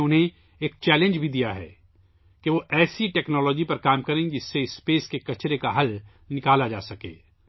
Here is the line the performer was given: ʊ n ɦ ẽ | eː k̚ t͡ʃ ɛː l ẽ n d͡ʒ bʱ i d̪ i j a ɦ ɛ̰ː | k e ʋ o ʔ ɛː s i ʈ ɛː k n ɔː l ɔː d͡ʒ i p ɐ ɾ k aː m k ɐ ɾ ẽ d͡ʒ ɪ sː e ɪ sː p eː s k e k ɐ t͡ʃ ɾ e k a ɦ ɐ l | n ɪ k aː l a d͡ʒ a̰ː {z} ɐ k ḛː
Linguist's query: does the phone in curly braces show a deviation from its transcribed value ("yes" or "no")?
yes